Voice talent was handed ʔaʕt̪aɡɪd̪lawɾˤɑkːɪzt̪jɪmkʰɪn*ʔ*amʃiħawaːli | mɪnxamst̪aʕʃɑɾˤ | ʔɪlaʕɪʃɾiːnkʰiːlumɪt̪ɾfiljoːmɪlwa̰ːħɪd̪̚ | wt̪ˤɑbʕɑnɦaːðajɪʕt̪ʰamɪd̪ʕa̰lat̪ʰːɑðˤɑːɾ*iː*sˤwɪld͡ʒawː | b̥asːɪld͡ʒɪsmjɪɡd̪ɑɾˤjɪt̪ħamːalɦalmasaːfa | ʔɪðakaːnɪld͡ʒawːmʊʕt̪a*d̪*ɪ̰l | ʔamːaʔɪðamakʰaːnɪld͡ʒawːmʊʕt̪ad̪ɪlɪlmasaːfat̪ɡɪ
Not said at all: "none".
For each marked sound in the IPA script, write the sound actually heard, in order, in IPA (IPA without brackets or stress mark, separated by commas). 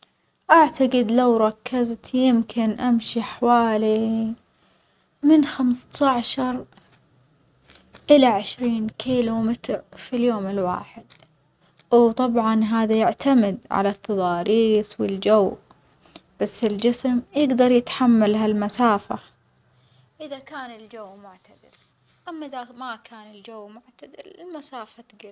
ʔ, iː, d̪